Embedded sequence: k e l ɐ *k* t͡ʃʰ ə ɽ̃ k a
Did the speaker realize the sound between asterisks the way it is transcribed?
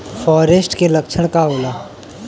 yes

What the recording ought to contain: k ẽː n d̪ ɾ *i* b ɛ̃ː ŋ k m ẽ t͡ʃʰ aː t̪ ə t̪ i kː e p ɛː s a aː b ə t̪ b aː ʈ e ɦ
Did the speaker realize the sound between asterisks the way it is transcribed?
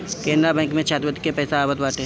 no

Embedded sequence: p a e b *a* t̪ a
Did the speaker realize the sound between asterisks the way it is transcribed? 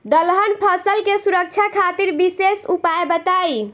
no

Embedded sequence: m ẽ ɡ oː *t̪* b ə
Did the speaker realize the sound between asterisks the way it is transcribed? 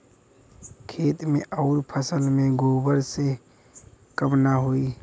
no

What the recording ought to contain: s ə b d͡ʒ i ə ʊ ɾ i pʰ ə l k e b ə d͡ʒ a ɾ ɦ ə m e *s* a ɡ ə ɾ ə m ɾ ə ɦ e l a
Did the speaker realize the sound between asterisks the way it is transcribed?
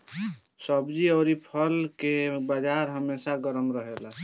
yes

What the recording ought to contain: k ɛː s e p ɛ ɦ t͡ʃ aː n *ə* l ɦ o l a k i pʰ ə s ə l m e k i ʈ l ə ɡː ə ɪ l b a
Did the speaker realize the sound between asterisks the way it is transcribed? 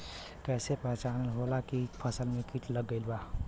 yes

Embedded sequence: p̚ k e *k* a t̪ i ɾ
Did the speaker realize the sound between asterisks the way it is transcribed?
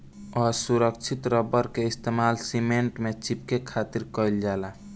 no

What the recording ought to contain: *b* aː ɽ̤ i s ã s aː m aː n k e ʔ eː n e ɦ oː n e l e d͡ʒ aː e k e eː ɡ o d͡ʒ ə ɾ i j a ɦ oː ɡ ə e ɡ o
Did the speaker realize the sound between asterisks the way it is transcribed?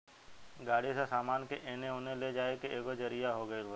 no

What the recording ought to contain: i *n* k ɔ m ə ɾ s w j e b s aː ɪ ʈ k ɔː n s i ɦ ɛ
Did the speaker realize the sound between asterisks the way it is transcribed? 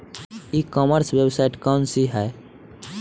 no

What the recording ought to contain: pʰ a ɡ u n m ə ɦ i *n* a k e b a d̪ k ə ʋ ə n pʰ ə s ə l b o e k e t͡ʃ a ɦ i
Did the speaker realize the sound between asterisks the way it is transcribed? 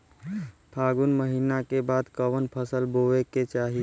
yes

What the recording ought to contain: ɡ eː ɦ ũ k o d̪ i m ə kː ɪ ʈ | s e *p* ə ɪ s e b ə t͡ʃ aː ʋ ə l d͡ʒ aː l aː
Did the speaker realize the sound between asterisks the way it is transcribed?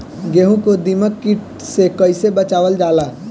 no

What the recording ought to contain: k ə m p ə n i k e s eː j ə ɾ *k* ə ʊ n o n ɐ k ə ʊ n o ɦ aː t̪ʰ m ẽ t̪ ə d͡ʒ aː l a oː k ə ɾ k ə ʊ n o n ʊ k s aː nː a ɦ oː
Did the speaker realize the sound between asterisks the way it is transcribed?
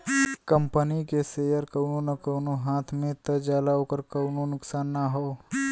yes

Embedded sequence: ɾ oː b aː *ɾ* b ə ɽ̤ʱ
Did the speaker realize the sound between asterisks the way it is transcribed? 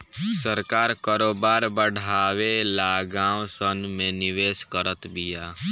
yes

